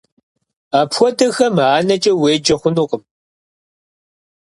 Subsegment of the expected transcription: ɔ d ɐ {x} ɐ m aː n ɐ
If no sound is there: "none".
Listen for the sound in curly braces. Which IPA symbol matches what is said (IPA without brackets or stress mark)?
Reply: x